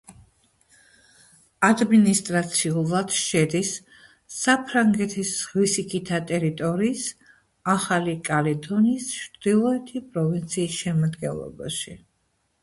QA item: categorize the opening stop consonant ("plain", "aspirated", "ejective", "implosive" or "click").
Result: plain